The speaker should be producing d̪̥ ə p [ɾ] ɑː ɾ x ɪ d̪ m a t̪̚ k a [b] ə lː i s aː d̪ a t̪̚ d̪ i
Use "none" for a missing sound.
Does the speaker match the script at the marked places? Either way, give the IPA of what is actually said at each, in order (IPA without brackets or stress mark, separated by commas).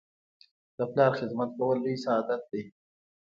l, w